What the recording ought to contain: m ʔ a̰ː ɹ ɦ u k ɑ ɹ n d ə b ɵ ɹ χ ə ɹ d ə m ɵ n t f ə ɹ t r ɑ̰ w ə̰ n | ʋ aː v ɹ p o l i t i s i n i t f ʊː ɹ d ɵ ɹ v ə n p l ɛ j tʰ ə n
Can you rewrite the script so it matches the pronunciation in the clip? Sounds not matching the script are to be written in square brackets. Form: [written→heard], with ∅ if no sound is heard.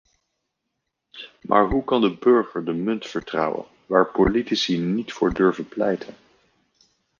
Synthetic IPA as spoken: m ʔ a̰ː ɹ ɦ u k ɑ [ɹ→∅] n d ə b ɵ ɹ χ ə ɹ d ə m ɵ n t f ə ɹ t r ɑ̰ w ə̰ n | ʋ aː [v→∅] ɹ p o l i t i s i n i t f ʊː ɹ d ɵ ɹ v ə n p l ɛ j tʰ ə n